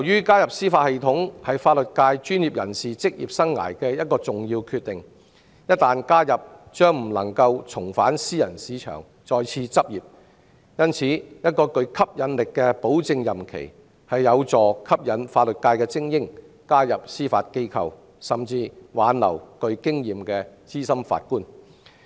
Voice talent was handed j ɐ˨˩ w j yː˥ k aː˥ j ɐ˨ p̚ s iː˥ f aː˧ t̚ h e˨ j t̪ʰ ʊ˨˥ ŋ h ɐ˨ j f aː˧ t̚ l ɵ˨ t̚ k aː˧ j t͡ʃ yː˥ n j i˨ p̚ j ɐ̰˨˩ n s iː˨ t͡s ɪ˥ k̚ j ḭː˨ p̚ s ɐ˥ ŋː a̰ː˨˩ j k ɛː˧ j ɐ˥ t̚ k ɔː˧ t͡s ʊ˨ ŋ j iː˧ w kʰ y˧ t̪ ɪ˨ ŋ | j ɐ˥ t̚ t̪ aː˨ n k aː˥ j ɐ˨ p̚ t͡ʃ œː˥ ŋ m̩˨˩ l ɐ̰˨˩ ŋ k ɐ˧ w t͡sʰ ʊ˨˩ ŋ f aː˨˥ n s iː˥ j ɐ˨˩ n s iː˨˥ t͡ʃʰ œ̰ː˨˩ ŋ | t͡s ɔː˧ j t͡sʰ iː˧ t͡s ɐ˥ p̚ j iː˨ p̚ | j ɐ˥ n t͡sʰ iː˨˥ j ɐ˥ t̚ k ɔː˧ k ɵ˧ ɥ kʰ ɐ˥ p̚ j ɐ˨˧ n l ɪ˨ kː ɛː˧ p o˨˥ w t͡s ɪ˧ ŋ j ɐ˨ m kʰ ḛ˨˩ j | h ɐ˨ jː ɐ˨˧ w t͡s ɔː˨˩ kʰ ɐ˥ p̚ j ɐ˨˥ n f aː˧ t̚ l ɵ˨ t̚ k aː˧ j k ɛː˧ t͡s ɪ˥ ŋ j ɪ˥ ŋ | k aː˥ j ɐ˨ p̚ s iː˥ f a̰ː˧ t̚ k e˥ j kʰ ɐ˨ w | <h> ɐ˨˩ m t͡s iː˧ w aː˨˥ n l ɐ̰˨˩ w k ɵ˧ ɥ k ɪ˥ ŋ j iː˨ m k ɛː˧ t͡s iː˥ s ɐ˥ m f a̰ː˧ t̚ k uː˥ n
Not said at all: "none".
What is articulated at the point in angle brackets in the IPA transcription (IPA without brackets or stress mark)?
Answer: s